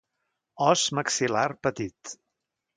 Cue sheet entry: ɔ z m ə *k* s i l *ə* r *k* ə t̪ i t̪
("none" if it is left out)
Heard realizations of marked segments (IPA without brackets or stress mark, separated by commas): k, a, p